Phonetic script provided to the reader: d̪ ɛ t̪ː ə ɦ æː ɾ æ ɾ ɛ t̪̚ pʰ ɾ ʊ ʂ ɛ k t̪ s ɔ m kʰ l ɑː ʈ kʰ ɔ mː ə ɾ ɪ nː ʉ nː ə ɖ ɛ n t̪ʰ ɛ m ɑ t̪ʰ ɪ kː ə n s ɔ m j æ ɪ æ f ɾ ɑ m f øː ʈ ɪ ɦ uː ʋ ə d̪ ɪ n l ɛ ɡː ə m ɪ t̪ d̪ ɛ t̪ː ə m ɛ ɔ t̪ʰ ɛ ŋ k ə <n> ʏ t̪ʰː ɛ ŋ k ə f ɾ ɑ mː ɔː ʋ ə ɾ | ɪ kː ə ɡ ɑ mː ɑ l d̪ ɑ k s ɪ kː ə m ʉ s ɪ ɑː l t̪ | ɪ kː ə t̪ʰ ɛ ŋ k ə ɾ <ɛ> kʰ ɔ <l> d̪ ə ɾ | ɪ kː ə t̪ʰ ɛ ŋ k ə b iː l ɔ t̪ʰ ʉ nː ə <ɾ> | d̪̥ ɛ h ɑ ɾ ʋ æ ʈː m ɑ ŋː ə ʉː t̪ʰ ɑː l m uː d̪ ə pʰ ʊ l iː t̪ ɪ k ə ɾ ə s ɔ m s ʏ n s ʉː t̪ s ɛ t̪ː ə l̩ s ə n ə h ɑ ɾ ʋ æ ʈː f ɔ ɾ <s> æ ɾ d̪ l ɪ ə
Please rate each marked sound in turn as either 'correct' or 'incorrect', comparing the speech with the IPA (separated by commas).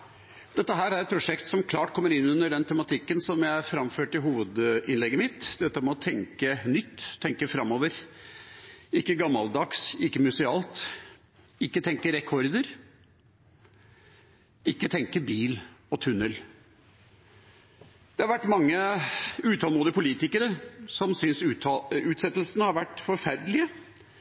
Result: correct, correct, incorrect, incorrect, incorrect